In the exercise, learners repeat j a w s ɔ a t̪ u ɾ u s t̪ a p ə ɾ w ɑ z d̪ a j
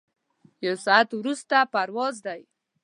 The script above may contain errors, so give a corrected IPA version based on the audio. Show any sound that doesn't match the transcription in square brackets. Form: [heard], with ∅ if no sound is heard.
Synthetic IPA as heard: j a w s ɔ a t̪ [w] ɾ u s t̪ a p [a] ɾ w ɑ z d̪ a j